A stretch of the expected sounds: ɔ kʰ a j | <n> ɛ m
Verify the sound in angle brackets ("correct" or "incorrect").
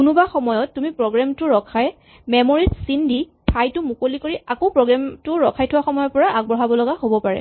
incorrect